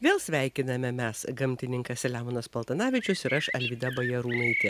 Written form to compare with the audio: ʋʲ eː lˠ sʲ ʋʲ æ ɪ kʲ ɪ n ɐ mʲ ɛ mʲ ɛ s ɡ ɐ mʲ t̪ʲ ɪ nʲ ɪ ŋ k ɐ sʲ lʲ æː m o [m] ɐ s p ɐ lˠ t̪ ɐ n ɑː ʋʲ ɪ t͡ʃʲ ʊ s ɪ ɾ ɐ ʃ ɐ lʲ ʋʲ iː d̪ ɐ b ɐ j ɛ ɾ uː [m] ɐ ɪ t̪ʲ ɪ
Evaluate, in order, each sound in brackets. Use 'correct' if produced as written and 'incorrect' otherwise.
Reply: incorrect, incorrect

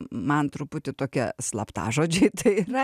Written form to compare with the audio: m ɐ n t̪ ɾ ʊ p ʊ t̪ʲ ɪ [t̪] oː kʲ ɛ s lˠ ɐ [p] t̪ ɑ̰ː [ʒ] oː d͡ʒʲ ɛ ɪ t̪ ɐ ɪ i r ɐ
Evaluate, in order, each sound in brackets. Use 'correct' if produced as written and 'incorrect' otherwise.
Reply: correct, correct, correct

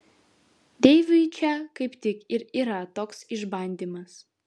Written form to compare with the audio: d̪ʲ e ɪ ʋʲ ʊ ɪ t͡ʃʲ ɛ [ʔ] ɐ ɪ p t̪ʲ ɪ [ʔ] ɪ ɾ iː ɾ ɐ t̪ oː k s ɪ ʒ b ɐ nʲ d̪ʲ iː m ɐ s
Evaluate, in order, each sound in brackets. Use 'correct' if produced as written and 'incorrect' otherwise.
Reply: incorrect, incorrect

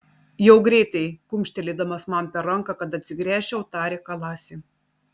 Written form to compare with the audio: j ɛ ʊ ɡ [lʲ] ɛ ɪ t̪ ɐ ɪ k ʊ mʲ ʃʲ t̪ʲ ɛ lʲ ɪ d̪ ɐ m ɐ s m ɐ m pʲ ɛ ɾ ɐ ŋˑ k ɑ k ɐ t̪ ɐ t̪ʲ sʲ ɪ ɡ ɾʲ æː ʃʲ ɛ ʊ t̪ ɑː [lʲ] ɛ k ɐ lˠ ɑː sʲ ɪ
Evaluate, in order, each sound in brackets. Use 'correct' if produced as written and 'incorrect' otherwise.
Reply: incorrect, incorrect

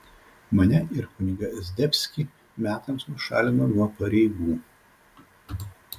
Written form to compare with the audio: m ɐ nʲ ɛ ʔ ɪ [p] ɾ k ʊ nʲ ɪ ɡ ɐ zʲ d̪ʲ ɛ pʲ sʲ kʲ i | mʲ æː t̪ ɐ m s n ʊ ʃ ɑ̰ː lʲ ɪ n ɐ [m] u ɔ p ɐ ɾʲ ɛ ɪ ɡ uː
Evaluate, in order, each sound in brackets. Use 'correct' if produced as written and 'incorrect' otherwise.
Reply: incorrect, incorrect

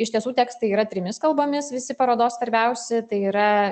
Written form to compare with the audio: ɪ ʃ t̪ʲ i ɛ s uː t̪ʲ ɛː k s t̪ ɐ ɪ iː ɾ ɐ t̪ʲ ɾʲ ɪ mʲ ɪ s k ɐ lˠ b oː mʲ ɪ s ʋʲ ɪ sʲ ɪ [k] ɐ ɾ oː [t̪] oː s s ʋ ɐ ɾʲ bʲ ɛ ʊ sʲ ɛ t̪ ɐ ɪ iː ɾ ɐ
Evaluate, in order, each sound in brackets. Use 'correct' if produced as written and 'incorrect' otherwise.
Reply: incorrect, incorrect

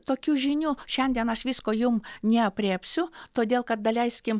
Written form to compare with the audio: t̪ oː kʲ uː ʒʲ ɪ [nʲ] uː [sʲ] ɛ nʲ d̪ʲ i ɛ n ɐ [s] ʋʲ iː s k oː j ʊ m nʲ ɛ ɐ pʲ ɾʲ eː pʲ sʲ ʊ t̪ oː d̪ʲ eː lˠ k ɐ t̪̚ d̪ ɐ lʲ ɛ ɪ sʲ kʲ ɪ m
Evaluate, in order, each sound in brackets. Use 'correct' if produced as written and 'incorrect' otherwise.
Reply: correct, incorrect, incorrect

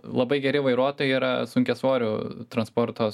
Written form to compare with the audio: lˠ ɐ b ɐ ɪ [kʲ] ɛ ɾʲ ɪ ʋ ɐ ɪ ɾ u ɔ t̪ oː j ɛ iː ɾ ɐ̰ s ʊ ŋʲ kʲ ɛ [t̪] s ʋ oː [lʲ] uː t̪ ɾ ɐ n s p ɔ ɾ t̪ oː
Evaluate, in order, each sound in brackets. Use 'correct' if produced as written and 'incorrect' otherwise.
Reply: incorrect, incorrect, incorrect

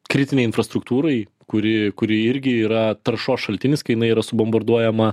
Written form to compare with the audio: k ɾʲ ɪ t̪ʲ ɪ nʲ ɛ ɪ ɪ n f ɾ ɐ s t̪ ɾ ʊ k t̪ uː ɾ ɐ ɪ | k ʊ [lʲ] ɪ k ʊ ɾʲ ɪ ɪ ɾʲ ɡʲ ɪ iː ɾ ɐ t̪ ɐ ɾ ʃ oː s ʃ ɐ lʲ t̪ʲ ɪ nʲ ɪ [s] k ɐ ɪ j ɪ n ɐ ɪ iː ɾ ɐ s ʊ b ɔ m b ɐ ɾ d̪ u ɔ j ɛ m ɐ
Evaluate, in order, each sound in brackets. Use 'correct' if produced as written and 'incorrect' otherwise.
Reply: incorrect, correct

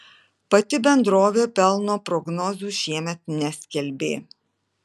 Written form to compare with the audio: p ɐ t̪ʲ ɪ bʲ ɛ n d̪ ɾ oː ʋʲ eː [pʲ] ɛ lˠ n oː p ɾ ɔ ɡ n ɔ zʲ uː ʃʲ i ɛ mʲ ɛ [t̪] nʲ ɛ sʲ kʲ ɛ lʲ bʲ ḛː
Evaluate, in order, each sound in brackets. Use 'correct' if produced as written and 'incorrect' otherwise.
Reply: correct, correct

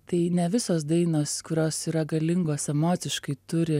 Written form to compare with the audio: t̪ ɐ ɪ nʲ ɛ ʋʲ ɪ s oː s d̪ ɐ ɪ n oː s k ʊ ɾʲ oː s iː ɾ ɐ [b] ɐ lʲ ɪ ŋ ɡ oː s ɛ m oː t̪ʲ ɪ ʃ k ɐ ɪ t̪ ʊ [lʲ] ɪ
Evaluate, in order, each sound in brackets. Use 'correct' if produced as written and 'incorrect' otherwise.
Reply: incorrect, incorrect

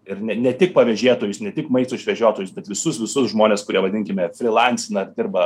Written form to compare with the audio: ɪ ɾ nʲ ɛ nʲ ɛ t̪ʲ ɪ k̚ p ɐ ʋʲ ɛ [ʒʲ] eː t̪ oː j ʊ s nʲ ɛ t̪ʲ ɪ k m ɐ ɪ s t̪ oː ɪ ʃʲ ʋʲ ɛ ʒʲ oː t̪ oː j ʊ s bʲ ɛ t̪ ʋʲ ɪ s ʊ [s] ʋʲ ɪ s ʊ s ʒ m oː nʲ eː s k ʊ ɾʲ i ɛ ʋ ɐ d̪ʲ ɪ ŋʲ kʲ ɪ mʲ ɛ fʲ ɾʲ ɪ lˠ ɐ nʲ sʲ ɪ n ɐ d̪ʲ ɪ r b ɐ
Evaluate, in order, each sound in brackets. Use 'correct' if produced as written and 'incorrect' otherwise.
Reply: correct, correct

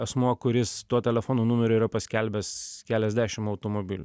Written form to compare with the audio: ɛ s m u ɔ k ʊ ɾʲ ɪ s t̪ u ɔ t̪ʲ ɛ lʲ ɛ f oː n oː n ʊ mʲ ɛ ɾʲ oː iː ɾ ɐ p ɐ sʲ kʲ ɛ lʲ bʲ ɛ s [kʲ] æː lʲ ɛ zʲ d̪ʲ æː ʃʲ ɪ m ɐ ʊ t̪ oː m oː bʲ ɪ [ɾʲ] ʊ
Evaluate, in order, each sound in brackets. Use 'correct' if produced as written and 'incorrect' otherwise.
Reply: correct, incorrect

